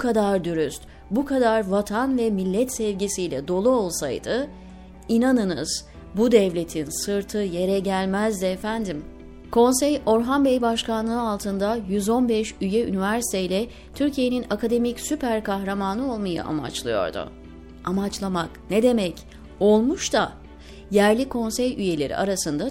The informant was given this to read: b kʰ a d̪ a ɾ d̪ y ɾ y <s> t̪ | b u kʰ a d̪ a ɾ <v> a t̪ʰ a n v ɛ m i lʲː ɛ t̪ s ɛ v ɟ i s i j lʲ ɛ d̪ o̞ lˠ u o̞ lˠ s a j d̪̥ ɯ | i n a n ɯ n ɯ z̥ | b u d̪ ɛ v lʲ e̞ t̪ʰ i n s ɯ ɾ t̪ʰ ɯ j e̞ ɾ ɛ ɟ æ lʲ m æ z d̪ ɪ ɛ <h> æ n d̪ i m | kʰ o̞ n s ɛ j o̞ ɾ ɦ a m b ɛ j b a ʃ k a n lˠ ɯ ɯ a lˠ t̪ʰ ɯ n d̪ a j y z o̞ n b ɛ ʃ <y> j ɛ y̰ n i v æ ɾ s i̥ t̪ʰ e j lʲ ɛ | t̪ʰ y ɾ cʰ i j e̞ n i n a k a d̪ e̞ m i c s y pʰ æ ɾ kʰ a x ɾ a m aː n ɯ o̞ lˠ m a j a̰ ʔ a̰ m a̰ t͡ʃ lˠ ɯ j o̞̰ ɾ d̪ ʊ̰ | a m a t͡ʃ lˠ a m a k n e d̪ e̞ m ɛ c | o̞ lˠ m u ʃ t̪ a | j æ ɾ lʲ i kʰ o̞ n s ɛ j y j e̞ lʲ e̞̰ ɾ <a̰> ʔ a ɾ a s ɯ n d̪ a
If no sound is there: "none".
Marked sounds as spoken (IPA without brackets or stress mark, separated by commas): s, v, f, y, ḭ